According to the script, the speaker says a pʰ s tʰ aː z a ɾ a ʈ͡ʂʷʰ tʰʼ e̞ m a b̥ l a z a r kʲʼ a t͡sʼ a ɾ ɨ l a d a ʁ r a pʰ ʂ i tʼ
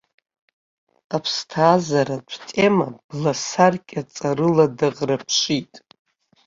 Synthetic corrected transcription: a pʰ s tʰ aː z a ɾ a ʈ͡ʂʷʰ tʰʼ e̞ m a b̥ l a s a r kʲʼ a t͡sʼ a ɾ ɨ l a d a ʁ r a pʰ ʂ i tʼ

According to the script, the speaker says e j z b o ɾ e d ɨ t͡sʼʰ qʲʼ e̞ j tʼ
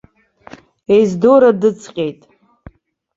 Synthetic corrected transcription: e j z d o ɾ a d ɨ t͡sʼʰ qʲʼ e̞ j tʼ

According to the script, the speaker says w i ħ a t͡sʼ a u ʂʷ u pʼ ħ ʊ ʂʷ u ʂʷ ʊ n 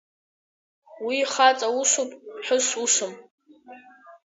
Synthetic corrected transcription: w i χ a t͡sʼ a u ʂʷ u pʼ ħ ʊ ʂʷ u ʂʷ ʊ m

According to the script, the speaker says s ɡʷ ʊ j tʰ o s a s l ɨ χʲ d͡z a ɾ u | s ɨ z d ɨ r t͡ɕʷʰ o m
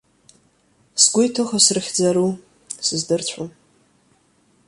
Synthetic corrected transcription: s ɡʷ ʊ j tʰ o χ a s r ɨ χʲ d͡z a ɾ u | s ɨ z d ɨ r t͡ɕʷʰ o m

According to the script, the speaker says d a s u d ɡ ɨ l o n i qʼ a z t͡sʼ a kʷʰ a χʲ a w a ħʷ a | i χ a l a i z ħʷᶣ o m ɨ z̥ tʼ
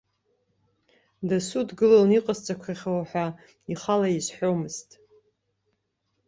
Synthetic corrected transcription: d a s u d ɡ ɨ l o n i qʼ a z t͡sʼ a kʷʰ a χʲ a w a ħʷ a | i χ a l a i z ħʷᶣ o m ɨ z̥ tʼ

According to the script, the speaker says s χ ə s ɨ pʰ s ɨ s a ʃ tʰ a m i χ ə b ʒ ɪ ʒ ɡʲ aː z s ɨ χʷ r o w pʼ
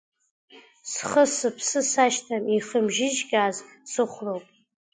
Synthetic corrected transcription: s χ ə s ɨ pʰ s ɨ s a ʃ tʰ a m i χ ə m ʒ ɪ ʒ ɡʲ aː z s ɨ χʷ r o w pʼ

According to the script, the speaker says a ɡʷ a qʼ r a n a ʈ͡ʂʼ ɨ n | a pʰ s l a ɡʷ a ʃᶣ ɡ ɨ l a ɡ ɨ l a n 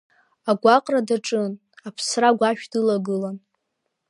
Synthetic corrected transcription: a ɡʷ a qʼ r a d a ʈ͡ʂʼ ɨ n | a pʰ s r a ɡʷ a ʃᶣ d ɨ l a ɡ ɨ l a n

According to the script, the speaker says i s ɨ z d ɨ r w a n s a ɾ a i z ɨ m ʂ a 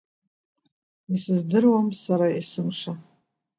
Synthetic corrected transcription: i s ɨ z d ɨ r w a m s a ɾ a i s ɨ m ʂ a

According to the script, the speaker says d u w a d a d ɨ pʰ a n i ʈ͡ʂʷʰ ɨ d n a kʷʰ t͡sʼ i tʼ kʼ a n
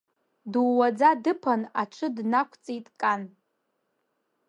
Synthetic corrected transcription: d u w a d͡z a d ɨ pʰ a n a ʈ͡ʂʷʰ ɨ d n a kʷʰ t͡sʼ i tʼ kʼ a n

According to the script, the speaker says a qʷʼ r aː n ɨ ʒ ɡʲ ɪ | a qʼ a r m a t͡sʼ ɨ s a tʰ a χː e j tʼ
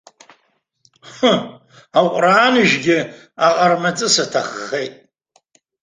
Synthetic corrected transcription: a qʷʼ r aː n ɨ ʒ ɡʲ ɪ | a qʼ a r m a t͡sʼ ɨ s a tʰ a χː e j tʼ

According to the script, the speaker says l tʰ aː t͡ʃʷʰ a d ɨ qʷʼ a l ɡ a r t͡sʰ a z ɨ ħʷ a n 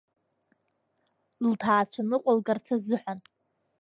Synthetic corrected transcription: l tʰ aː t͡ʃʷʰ a n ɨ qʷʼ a l ɡ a r t͡sʰ a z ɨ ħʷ a n

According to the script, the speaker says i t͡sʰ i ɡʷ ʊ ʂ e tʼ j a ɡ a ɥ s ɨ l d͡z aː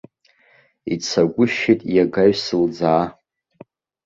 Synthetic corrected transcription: i t͡sʰ a ɡʷ ʊ ʃ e tʼ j a ɡ a ɥ s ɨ l d͡z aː

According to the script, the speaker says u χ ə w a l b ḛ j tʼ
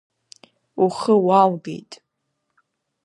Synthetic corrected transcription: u χ ə w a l ɡ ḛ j tʼ

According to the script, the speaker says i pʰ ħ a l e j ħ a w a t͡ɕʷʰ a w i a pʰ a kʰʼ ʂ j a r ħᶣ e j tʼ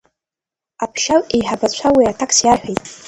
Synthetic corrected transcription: a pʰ ʃ a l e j ħ a b a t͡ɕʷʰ a w i a tʰ a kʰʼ s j a r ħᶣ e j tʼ

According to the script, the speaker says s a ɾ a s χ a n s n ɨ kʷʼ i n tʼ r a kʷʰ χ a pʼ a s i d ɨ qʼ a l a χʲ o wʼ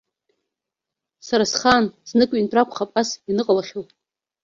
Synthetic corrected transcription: s a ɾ a s χ a n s n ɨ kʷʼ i n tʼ r a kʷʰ χ a pʼ a s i n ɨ qʼ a l a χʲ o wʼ

